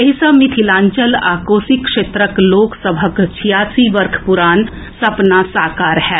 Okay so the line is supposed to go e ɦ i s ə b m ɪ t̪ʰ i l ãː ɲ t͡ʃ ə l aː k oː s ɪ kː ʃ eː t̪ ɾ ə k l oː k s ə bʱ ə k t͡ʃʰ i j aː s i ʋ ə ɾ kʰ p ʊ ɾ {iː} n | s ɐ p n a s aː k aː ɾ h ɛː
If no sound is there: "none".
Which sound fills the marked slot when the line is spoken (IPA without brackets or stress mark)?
aː